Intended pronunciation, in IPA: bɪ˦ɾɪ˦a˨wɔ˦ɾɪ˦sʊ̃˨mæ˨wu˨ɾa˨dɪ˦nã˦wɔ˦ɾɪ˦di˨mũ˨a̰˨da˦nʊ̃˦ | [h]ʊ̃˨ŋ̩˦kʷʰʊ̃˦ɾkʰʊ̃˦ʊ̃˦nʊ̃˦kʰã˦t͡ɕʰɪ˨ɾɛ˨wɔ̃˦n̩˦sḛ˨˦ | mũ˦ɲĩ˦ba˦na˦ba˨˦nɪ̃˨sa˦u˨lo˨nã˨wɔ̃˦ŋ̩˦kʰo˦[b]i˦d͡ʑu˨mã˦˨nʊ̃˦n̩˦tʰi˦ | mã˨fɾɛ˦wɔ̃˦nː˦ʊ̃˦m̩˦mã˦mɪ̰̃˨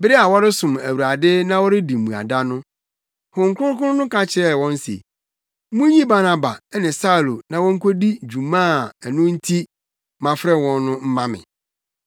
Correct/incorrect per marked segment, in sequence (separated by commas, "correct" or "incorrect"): correct, incorrect